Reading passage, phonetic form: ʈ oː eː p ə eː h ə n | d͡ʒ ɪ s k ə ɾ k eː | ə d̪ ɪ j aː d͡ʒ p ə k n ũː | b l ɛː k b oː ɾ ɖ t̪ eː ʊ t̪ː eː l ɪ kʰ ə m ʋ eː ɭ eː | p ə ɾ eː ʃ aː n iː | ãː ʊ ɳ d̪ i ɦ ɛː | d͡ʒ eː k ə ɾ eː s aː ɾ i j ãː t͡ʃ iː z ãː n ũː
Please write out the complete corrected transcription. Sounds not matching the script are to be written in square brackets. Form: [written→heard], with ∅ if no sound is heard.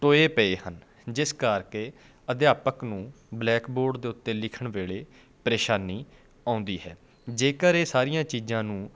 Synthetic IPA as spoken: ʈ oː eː p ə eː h ə n | d͡ʒ ɪ s k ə ɾ k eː | ə d̪ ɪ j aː [d͡ʒ→∅] p ə k n ũː | b l ɛː k b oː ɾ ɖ [t̪→d̪] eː ʊ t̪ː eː l ɪ kʰ ə [m→ɳ] ʋ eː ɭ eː | p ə ɾ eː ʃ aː n iː | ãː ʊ [ɳ→n] d̪ [i→iː] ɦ ɛː | d͡ʒ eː k ə ɾ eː s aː ɾ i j ãː t͡ʃ iː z ãː n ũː